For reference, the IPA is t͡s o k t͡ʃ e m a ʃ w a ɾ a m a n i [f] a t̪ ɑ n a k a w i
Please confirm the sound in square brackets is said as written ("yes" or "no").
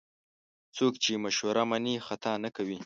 no